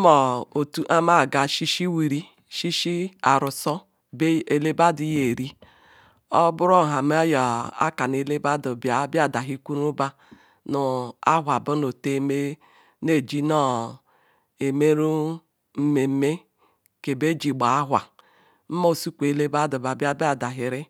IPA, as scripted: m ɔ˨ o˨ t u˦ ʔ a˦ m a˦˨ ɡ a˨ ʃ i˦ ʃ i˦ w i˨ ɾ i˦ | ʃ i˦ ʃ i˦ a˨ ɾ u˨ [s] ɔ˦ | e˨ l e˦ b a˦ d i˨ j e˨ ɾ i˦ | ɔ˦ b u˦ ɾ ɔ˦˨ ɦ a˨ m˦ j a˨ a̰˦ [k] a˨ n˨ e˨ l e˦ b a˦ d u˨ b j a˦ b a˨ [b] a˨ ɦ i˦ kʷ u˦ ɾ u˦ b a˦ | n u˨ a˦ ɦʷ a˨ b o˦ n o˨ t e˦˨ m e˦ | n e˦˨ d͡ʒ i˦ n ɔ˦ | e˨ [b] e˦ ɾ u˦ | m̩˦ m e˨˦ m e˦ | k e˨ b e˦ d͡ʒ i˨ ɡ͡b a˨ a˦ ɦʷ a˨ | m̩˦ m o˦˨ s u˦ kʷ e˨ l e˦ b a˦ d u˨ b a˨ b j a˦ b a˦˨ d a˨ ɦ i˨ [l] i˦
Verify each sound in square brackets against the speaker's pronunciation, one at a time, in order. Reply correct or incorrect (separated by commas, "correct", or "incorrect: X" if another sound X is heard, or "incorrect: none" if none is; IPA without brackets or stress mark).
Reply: correct, correct, incorrect: d, incorrect: m, incorrect: ɾ